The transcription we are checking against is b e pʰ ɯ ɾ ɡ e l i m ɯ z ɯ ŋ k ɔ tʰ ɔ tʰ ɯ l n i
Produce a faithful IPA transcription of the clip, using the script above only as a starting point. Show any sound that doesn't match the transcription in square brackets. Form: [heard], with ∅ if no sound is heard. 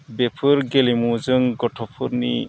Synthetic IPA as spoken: b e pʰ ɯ ɾ ɡ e l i m [u] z ɯ ŋ [ɡ] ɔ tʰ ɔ [pʰ] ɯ [ɾ] n i